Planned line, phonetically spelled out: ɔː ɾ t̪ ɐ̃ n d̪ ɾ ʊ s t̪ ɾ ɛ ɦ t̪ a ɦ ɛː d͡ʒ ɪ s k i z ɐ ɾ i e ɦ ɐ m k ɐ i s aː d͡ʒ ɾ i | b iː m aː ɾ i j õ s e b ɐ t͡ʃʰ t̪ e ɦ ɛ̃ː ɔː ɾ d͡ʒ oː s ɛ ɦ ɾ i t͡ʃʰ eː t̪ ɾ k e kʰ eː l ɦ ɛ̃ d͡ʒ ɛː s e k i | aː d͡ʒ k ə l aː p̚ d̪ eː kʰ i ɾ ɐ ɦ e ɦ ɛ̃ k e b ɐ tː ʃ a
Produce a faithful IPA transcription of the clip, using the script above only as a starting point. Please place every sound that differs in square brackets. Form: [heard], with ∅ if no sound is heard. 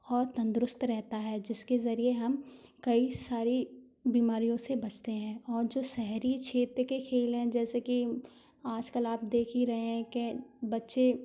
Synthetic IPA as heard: ɔː ɾ t̪ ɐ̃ n d̪ ɾ ʊ s t̪ ɾ ɛ ɦ t̪ a ɦ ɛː d͡ʒ ɪ s k [e] z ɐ ɾ i e ɦ ɐ m k ɐ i s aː [∅] ɾ i | b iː m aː ɾ i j õ s e b ɐ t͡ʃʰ t̪ e ɦ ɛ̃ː ɔː ɾ d͡ʒ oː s ɛ ɦ ɾ i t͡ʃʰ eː t̪ ɾ k e kʰ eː l ɦ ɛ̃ d͡ʒ ɛː s e k i | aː d͡ʒ k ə l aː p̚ d̪ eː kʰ i ɾ ɐ ɦ e ɦ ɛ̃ k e b ɐ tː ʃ [e]